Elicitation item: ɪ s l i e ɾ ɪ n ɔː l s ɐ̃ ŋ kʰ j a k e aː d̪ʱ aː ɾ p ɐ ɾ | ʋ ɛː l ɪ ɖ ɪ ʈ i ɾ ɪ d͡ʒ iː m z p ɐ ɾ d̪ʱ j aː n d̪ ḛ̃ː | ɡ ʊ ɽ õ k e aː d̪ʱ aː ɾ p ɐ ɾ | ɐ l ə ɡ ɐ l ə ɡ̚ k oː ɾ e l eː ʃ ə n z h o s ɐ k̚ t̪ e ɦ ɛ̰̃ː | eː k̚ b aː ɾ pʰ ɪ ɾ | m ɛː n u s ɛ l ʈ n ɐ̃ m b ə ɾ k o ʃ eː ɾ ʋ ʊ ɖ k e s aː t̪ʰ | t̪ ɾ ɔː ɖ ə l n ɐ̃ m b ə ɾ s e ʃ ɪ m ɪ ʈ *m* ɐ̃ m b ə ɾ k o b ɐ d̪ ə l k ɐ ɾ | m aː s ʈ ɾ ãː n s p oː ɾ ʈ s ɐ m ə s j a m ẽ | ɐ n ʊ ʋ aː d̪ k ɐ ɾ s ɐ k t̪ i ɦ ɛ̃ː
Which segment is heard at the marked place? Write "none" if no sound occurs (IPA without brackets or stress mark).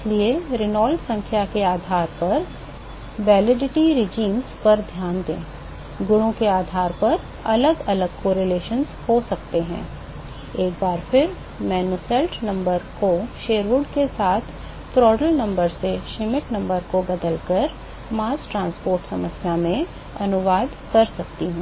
n